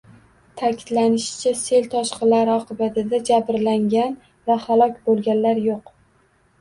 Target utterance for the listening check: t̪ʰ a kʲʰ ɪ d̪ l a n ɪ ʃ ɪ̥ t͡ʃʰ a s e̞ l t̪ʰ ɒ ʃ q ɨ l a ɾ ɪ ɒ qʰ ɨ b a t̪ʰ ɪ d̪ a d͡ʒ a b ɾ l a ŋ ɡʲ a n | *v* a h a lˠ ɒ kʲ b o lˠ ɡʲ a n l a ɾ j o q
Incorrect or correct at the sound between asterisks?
correct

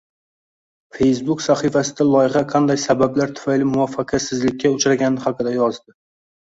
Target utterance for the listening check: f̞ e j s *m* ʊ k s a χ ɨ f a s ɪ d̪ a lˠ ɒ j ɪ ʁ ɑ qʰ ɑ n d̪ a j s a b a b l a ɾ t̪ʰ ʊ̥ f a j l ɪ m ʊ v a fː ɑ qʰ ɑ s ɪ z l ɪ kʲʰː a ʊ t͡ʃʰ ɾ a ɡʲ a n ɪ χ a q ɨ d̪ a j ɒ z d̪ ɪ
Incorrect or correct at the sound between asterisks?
incorrect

